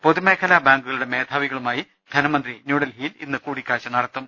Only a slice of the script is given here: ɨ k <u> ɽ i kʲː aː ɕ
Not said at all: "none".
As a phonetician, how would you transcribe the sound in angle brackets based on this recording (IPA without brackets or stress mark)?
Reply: uː